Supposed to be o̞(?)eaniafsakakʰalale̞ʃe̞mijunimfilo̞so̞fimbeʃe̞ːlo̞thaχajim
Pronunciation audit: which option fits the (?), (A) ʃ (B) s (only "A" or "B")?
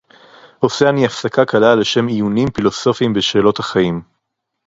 B